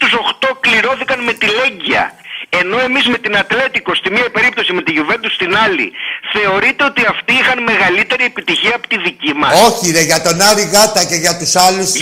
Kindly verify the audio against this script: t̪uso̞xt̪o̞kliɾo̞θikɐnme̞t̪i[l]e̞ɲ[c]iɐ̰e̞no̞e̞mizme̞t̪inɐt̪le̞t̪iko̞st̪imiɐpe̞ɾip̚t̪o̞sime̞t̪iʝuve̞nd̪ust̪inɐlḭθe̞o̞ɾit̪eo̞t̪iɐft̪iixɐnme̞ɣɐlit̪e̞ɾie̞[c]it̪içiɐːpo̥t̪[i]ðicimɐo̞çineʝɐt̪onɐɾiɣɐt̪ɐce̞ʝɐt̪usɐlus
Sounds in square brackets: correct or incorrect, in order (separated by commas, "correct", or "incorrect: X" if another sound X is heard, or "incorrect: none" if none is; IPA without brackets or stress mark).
correct, incorrect: ɟ, incorrect: p, correct